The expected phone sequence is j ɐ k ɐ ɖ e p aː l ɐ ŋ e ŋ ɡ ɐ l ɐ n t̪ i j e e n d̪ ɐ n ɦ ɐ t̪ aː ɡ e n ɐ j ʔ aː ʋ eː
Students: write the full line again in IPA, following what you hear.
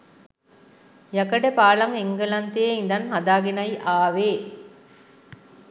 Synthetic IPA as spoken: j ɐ k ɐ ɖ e p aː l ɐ ŋ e ŋ ɡ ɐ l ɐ n t̪ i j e i n d̪ ɐ n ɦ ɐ d̪ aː ɡ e n ɐ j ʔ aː ʋ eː